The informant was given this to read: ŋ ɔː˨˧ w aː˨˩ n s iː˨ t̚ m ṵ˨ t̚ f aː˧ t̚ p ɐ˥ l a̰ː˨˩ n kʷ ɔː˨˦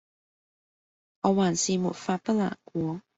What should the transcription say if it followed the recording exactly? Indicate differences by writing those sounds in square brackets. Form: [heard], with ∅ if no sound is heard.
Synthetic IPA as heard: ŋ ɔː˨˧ w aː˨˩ n s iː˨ [∅] m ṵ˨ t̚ f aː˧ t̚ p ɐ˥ l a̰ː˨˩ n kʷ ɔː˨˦